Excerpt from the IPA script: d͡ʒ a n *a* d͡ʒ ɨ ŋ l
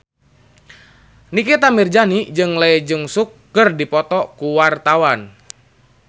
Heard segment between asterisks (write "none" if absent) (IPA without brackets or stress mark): i